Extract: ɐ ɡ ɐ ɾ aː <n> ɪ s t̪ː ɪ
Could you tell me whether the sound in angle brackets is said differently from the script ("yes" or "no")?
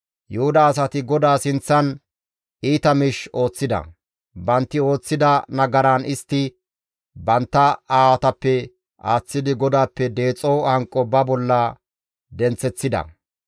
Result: no